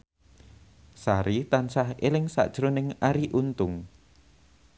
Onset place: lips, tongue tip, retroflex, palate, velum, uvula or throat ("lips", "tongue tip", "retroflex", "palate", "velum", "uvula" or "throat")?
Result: tongue tip